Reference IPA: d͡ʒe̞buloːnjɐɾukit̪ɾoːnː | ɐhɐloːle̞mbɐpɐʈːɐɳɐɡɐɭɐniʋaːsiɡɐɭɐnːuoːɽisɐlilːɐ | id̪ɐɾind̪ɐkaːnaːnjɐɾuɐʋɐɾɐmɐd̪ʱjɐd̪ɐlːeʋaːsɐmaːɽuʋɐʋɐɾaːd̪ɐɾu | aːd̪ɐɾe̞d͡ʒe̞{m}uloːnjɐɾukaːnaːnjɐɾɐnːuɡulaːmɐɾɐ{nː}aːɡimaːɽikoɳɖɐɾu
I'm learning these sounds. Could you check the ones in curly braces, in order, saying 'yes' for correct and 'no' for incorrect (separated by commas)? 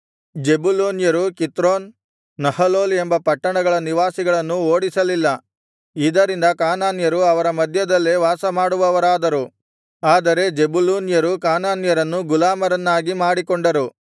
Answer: no, yes